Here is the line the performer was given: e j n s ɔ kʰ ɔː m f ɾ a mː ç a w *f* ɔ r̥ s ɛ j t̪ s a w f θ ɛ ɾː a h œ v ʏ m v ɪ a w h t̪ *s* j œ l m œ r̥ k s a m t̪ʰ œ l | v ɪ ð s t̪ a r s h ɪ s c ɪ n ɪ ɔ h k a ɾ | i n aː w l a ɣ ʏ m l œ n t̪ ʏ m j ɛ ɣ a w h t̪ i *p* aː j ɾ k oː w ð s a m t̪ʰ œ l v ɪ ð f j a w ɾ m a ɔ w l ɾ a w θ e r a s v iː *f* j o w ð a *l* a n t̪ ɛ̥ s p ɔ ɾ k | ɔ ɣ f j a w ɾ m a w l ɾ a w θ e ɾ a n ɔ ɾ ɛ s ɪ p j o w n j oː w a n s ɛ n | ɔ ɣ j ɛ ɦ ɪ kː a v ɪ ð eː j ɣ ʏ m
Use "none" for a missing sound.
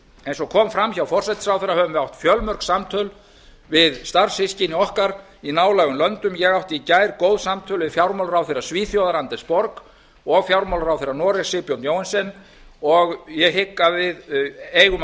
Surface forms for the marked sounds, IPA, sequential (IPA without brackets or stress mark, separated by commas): f, f, c, θ, ɾ